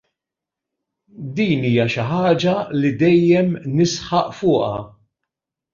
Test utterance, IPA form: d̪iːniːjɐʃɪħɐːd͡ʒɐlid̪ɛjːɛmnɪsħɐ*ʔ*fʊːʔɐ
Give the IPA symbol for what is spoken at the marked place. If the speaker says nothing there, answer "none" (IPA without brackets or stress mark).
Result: ʔ